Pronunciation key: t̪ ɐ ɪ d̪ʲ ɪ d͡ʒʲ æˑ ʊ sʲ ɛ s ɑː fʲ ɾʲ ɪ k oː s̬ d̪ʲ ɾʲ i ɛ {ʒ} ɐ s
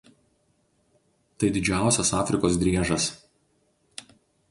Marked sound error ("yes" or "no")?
no